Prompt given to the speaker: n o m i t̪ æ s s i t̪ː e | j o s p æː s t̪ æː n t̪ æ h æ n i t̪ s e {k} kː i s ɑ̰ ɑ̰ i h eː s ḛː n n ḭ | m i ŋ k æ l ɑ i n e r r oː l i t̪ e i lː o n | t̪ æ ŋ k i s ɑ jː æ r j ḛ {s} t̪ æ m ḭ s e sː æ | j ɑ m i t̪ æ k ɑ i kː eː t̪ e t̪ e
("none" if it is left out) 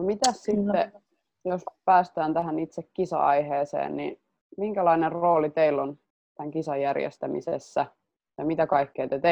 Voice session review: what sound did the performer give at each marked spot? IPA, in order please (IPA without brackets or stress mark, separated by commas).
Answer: k, s